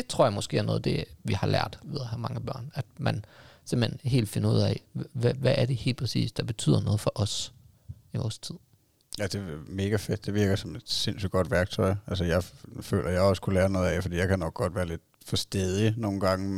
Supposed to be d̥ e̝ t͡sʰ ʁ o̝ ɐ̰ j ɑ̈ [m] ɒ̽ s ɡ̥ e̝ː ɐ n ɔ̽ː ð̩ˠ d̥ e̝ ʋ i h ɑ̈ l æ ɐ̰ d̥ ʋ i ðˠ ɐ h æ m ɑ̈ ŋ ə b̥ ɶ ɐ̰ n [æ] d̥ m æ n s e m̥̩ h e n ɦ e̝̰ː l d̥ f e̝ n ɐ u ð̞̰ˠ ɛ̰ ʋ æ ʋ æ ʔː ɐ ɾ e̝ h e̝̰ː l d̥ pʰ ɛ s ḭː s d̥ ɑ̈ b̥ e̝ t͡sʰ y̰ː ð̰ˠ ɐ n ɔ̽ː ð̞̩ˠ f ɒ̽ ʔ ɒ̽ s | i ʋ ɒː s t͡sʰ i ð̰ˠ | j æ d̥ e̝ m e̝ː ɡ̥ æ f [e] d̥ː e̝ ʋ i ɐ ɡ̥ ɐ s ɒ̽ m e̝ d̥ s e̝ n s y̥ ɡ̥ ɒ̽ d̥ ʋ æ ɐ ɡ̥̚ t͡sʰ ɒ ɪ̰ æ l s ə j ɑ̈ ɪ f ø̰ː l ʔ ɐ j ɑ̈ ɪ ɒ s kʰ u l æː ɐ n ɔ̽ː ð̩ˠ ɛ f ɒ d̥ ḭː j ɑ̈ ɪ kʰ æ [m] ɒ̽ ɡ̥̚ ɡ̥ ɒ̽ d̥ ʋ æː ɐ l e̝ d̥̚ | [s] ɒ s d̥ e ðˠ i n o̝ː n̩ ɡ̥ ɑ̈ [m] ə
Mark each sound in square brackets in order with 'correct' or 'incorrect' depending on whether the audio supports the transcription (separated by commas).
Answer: correct, correct, correct, incorrect, incorrect, incorrect